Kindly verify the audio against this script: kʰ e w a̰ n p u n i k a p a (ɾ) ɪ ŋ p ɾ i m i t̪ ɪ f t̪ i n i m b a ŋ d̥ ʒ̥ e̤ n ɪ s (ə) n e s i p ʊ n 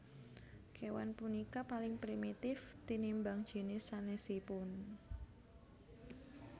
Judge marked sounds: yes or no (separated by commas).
no, no